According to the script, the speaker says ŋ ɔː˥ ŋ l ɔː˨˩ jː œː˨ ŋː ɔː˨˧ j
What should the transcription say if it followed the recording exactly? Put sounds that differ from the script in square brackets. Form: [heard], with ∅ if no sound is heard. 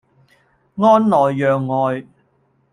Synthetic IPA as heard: ŋ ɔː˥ [n] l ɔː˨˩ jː œː˨ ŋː ɔː˨˧ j